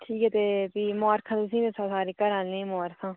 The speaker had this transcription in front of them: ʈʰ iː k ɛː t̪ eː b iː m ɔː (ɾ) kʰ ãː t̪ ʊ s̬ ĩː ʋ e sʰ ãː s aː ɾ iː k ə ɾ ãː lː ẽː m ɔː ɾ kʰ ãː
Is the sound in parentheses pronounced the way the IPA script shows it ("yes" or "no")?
yes